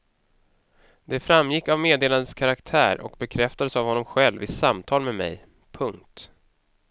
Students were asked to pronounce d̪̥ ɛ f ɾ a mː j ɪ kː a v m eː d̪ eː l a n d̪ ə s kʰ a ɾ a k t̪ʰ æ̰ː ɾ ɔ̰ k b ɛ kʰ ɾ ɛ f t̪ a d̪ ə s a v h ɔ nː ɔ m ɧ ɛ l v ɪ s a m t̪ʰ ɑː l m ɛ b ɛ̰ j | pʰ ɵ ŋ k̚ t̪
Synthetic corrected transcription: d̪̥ ɛ f ɾ a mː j ɪ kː a v m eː d̪ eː l a n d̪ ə s kʰ a ɾ a k t̪ʰ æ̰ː ɾ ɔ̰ k b ɛ kʰ ɾ ɛ f t̪ a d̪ ə s a v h ɔ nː ɔ m ɧ ɛ l v ɪ s a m t̪ʰ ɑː l m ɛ m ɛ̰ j | pʰ ɵ ŋ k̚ t̪